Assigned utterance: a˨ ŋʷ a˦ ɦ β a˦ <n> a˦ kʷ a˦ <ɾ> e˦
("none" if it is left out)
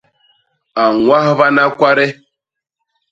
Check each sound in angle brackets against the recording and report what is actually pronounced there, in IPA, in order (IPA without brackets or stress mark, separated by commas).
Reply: n, ɾ